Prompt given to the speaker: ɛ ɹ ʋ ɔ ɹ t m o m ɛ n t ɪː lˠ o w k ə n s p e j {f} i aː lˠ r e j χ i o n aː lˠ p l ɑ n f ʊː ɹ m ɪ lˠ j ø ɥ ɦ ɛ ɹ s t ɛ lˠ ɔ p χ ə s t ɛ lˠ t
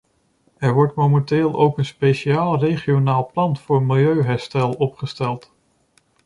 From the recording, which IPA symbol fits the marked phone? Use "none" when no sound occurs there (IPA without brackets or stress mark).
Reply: ʃ